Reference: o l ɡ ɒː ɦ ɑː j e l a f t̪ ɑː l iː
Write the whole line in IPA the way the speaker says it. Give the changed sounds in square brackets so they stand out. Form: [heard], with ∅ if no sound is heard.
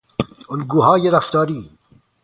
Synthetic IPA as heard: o l ɡ [uː] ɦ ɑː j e [ɾ] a f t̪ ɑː [ɾ] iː